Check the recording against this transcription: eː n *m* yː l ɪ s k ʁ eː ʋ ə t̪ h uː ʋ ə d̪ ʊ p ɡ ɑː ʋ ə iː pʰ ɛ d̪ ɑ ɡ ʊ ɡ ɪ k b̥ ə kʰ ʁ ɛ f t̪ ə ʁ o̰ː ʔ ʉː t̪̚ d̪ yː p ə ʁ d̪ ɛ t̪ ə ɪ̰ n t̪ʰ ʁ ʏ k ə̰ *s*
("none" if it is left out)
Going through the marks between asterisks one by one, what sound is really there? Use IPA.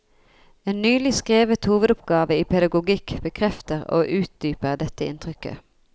n, none

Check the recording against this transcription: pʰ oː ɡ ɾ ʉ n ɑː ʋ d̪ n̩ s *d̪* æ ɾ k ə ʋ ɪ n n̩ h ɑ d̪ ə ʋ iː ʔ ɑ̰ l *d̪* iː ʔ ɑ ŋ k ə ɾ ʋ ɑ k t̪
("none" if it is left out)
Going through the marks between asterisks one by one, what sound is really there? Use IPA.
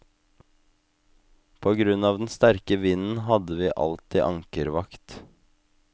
t̪, t̪

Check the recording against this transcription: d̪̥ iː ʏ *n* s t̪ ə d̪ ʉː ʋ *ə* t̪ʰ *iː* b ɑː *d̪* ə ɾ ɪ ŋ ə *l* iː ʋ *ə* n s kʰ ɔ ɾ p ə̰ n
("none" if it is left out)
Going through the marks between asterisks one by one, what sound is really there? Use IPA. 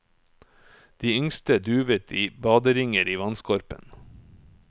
ŋ, ə, iː, d̪, ɾ, ɑ

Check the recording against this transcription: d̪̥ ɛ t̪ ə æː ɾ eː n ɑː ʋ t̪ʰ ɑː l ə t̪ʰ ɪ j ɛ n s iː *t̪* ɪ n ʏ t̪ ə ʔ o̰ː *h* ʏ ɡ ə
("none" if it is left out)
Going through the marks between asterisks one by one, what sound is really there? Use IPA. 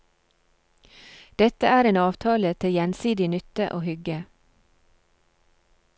d̪, h

